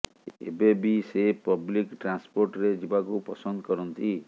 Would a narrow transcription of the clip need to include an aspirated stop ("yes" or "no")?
no